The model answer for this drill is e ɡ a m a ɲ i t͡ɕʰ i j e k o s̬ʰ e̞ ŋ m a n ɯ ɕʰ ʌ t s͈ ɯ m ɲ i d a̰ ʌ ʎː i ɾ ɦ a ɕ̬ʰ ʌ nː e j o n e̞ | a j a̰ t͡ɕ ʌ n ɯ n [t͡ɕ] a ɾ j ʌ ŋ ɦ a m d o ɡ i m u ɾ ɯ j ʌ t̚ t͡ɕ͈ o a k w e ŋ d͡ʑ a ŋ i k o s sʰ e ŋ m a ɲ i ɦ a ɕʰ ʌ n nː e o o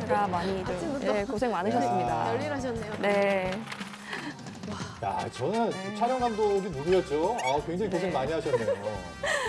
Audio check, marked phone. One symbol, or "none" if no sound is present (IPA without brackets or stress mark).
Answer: t͡ɕʰ